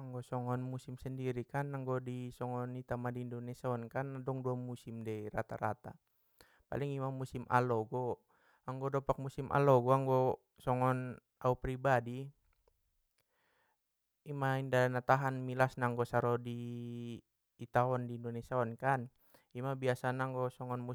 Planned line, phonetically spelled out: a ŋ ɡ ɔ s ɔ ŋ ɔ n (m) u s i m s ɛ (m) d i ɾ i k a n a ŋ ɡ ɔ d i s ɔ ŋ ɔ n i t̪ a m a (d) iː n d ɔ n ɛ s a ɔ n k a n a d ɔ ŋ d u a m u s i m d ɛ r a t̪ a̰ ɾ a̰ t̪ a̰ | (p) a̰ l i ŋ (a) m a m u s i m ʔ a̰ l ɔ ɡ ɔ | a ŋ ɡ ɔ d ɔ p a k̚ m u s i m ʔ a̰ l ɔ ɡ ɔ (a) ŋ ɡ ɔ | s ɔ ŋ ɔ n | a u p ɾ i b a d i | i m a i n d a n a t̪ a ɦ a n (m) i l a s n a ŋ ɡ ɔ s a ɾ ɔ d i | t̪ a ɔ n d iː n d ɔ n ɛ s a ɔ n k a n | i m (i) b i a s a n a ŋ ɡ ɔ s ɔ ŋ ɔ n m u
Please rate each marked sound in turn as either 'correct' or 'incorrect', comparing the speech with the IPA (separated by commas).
correct, incorrect, correct, correct, incorrect, correct, correct, incorrect